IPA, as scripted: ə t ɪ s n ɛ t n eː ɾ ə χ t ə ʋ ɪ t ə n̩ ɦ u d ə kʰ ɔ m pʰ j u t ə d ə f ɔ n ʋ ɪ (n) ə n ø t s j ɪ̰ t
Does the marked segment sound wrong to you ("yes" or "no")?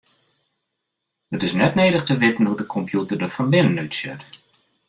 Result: no